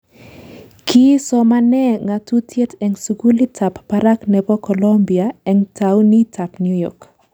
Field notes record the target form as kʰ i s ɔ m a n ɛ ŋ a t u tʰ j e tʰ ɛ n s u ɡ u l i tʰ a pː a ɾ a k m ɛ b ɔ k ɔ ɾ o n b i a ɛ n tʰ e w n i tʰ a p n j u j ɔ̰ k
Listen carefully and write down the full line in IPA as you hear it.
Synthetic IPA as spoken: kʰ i s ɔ m a n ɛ ŋ a t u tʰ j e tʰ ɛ ŋ s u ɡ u l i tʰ a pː a ɾ a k n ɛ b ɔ k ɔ l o m b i a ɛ ŋ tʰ a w n i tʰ a p n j u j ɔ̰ k